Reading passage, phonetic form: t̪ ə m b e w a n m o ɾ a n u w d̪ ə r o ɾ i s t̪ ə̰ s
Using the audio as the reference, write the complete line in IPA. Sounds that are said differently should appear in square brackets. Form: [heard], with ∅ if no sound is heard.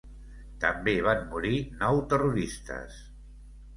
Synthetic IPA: t̪ ə m b e [β] a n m [u] ɾ [i] n [ɔ] w [t̪] ə r [u] ɾ i s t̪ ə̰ s

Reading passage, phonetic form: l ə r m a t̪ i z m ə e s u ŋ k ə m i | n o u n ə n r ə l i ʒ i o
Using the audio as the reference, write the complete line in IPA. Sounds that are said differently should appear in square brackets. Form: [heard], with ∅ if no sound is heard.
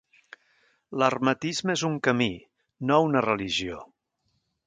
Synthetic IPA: l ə r m [ə] t̪ i z m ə e [z] u ŋ k ə m i | n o u n ə [∅] r ə l i ʒ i o

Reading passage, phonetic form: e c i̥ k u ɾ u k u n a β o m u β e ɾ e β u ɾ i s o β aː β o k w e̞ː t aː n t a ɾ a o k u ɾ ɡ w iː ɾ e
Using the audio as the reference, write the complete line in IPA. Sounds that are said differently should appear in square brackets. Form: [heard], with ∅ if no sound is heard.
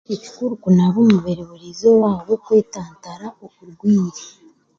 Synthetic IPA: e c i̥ k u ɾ u k u n a β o m u β e ɾ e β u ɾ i [z] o [w] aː β o k w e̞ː t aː n t a ɾ a o k u ɾ ɡ w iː ɾ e

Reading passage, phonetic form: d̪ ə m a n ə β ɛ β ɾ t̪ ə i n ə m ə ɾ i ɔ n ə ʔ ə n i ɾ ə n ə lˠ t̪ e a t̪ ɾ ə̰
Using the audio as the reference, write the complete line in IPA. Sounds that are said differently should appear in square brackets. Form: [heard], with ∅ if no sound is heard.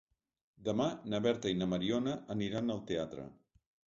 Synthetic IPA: d̪ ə m a n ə β ɛ [∅] ɾ t̪ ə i n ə m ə ɾ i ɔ n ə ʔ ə n i ɾ [a] n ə lˠ t̪ e a t̪ ɾ ə̰

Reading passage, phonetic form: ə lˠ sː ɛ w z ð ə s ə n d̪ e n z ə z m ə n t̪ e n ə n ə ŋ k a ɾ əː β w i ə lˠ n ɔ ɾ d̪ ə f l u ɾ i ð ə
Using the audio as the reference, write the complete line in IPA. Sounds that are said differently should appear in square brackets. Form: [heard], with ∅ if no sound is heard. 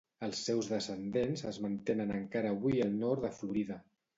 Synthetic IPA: ə lˠ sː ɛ w z ð ə s ə n d̪ e n z ə z m ə n t̪ e n ə n ə ŋ k a ɾ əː β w i ə lˠ n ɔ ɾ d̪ ə f l u ɾ i ð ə

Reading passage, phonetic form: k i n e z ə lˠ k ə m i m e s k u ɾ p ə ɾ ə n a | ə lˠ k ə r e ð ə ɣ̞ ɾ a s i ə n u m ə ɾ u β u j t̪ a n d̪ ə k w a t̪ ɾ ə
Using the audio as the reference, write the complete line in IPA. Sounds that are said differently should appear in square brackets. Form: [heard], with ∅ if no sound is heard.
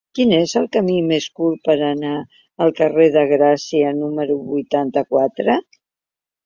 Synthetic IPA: k i n e z ə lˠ k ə m i m e s k u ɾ p ə ɾ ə n a | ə lˠ k ə r e ð ə ɣ̞ ɾ a s i ə n u m ə ɾ u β u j t̪ a n [t̪] ə k w a t̪ ɾ ə

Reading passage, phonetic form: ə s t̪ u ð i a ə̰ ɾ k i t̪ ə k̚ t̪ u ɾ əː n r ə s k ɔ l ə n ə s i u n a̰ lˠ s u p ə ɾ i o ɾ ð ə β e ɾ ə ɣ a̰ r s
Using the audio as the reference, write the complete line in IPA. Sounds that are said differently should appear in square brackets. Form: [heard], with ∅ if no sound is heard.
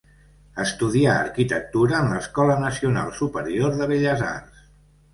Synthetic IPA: ə s t̪ u ð i a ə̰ ɾ k i t̪ ə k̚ t̪ u ɾ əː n [l] ə s k ɔ l ə n ə s i u n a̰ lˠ s u p ə ɾ i o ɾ ð ə β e [ʎ] ə [z] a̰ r s

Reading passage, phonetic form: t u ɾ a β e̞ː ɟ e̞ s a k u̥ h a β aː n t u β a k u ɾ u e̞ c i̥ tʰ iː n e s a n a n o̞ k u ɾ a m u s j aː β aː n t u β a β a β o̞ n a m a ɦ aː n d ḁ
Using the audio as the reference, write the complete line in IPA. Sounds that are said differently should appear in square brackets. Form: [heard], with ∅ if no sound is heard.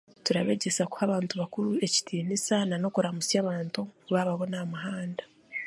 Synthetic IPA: t u ɾ a β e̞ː ɟ e̞ s a k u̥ h a β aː n t u β a k u ɾ u e̞ c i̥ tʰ iː n [i] s a n a n o̞ k u ɾ a m u s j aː β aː n t u β a β a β o̞ n a m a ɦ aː n d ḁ

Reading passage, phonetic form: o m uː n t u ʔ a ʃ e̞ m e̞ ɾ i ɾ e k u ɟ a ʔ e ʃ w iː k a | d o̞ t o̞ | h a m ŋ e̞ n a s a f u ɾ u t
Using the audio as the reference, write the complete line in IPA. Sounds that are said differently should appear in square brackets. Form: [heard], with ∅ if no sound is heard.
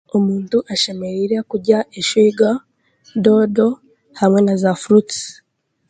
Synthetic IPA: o m uː n t u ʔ a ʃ e̞ m e̞ ɾ i ɾ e k u ɟ a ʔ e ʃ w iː [ɡ] a | d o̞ [d] o̞ | h a m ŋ e̞ n a [z] a f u ɾ u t

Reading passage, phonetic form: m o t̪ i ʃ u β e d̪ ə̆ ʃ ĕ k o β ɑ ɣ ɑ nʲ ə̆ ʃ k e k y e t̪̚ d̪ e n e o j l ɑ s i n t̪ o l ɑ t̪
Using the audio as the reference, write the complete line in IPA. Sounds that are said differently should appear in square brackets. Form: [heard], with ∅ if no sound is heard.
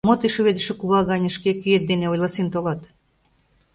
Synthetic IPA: m o t̪ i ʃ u β e d̪ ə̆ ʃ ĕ k [u] β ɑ ɣ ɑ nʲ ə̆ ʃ k e k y e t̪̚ d̪ e n e o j l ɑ s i n t̪ o l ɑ t̪

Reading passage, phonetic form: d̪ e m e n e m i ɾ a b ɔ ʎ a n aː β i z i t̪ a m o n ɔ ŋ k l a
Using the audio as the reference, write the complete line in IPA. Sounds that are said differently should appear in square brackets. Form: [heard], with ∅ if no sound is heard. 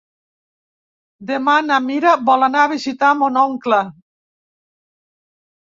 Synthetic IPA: d̪ e m [a] n [a] m i ɾ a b ɔ [l] a n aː β i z i t̪ a m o n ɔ ŋ k l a

